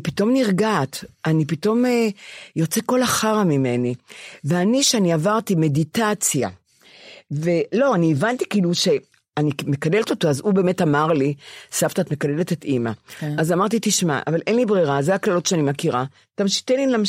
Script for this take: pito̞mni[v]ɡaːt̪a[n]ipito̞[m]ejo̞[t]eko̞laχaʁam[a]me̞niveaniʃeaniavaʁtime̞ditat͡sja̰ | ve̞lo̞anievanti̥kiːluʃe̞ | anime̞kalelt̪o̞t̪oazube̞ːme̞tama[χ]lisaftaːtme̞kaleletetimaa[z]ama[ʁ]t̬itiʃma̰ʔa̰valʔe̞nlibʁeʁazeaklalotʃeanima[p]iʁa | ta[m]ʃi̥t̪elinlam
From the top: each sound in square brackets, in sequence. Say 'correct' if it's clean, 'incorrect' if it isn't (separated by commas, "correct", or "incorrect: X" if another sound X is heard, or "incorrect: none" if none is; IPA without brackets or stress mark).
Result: incorrect: ʁ, correct, correct, incorrect: t͡s, incorrect: i, incorrect: ʁ, correct, correct, incorrect: k, correct